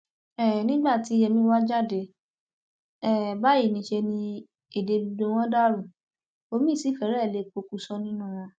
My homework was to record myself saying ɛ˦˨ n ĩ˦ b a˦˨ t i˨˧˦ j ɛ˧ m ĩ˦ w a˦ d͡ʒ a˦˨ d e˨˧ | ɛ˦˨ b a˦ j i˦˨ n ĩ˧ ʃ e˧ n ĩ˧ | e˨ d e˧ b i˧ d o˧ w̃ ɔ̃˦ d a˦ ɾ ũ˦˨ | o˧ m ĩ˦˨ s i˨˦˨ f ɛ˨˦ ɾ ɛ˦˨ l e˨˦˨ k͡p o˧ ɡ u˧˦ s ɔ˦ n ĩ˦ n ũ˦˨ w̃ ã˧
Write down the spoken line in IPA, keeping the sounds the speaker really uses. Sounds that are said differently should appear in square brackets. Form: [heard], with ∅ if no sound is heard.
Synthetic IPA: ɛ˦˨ n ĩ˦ [ɡ͡b] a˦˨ t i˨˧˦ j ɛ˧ m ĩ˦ w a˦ d͡ʒ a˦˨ d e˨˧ | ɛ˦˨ b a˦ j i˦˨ n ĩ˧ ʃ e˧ n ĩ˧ | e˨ d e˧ b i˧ d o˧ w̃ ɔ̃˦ d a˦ ɾ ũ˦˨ | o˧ m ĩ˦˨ s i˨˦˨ f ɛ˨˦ ɾ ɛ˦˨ l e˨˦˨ k͡p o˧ [k] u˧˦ s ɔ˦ n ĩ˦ n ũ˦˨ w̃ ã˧

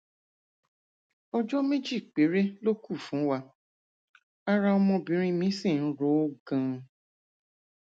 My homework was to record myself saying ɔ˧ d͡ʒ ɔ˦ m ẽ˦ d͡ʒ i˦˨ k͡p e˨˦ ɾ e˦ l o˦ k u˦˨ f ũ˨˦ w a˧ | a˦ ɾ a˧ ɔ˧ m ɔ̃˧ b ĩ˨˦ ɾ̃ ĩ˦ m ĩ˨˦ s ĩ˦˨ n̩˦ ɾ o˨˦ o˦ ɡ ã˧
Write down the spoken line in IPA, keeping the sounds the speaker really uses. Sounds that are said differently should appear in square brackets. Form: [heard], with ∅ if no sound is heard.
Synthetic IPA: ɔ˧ d͡ʒ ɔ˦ m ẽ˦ d͡ʒ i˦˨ k͡p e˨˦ ɾ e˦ l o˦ k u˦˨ f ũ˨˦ w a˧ | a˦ ɾ a˧ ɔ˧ m ɔ̃˧ b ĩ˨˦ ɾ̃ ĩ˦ m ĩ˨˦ s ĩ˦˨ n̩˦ ɾ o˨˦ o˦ ɡ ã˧

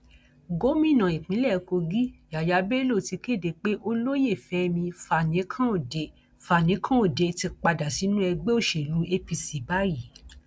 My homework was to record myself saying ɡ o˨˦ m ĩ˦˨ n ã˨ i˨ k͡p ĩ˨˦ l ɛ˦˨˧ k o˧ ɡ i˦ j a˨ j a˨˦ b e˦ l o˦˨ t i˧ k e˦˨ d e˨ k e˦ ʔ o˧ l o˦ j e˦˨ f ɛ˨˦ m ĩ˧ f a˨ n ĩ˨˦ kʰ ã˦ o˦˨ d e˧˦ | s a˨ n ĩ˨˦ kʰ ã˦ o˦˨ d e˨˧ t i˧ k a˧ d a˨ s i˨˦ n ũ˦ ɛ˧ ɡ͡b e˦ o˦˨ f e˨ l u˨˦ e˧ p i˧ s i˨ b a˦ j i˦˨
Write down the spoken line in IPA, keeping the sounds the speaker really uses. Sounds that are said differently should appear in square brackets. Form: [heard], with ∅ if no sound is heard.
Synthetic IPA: ɡ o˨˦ m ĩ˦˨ n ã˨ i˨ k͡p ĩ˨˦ l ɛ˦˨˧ k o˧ ɡ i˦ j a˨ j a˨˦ b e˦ l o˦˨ t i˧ k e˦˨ d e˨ [k͡p] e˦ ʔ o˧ l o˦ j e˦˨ f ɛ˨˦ m ĩ˧ f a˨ n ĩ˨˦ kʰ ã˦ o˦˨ d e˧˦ | [f] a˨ n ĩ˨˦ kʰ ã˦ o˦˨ d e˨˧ t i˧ [k͡p] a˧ d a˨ s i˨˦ n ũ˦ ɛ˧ ɡ͡b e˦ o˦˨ [ʃ] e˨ l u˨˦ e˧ p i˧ s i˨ b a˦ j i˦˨

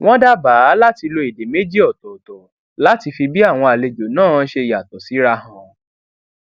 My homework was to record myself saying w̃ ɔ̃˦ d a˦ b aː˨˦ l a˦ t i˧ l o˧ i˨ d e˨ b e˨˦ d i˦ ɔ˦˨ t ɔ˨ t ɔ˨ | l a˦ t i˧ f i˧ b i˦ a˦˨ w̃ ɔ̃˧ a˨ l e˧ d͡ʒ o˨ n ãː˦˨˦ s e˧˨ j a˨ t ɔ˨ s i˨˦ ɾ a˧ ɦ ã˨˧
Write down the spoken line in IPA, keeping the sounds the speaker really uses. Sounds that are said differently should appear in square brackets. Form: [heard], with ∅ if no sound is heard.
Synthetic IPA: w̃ ɔ̃˦ d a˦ b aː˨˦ l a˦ t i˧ l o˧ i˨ d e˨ [m] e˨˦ [d͡ʒ] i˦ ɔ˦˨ t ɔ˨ t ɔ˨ | l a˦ t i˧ f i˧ b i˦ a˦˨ w̃ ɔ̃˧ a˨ l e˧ d͡ʒ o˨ n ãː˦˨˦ [ʃ] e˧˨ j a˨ t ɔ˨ s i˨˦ ɾ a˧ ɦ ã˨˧

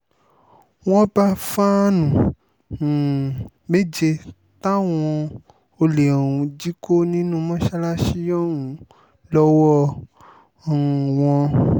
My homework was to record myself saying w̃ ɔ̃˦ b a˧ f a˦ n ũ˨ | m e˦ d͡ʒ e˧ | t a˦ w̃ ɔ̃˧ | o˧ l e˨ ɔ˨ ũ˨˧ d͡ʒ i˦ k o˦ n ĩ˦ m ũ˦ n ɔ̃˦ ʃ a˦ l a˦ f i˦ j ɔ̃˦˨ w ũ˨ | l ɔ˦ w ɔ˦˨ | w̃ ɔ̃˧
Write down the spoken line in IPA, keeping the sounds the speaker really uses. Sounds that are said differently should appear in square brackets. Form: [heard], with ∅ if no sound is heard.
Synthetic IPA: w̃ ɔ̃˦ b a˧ f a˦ n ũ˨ | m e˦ d͡ʒ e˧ | t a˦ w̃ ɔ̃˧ | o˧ l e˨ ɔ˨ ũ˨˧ d͡ʒ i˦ k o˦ n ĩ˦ [n] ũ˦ [m] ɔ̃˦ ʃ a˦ l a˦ [ʃ] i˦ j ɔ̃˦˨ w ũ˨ | l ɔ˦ w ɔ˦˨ | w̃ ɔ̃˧

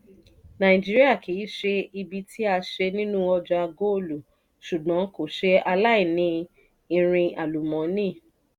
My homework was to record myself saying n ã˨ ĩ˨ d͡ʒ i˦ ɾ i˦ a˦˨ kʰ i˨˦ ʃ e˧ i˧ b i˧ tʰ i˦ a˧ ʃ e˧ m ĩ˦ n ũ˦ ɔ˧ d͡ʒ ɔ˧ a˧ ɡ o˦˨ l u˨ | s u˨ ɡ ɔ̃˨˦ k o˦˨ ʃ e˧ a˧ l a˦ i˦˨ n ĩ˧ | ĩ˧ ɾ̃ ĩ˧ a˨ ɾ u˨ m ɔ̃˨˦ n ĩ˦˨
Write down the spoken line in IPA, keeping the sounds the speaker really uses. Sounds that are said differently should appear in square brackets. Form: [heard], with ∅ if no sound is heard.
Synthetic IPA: n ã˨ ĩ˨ d͡ʒ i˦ ɾ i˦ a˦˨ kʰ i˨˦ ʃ e˧ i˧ b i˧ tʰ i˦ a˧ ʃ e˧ [n] ĩ˦ n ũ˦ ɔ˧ d͡ʒ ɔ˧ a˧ ɡ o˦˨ l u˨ | [ʃ] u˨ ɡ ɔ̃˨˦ k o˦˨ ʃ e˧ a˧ l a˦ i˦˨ n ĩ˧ | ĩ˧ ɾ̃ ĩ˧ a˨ [l] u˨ m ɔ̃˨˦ n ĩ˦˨

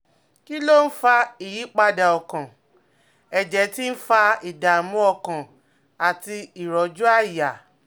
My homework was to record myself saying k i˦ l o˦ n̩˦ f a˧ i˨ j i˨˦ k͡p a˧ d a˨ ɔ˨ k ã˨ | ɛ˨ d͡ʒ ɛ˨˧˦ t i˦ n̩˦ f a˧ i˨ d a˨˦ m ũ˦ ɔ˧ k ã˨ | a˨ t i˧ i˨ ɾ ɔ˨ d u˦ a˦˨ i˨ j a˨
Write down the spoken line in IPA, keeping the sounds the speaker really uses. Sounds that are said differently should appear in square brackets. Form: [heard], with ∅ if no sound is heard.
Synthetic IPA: k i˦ l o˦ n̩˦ f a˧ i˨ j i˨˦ k͡p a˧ d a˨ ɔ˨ k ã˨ | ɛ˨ d͡ʒ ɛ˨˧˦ t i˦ n̩˦ f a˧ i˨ d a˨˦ m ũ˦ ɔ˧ k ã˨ | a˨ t i˧ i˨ ɾ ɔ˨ [d͡ʒ] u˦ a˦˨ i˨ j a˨

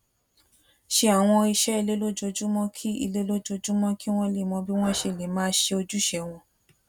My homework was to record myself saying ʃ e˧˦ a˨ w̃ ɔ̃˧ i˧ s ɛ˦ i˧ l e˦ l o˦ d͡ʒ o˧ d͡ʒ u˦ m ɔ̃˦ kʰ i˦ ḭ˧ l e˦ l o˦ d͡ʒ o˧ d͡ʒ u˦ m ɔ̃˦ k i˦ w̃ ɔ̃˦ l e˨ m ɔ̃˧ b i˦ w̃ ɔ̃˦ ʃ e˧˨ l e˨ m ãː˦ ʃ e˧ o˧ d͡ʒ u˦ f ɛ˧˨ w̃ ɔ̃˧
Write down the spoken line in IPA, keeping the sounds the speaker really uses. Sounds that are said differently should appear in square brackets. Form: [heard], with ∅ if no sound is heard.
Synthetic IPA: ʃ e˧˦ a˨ w̃ ɔ̃˧ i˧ [ʃ] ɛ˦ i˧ l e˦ l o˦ d͡ʒ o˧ d͡ʒ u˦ m ɔ̃˦ kʰ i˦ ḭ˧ l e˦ l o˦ d͡ʒ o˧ d͡ʒ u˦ m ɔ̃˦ k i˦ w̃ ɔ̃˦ l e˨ m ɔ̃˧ b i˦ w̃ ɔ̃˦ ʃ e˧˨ l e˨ m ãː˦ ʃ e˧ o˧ d͡ʒ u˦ [ʃ] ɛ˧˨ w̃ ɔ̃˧

